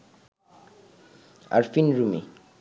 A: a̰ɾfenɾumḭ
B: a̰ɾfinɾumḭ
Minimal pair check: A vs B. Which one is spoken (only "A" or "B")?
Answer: B